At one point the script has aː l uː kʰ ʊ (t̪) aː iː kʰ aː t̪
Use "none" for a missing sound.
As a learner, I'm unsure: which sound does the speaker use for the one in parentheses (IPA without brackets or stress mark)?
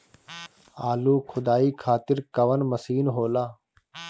d̪